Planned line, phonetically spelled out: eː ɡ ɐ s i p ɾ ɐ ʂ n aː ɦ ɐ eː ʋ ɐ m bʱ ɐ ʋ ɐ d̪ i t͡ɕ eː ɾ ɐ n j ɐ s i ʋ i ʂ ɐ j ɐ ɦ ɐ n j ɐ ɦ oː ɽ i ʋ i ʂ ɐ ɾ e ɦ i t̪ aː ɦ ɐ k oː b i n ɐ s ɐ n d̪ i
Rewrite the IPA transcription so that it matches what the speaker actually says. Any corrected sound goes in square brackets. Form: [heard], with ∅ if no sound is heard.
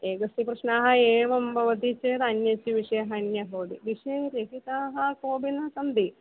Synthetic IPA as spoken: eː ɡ ɐ s i p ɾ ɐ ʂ n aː ɦ ɐ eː ʋ ɐ m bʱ ɐ ʋ ɐ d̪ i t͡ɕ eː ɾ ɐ n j ɐ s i ʋ i ʂ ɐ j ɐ ɦ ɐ n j ɐ ɦ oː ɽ i ʋ i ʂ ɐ ɾ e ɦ i t̪ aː ɦ ɐ k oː b i n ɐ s ɐ n d̪ i